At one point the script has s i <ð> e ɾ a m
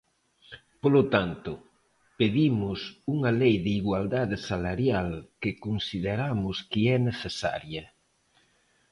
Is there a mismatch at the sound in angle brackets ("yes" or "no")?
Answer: no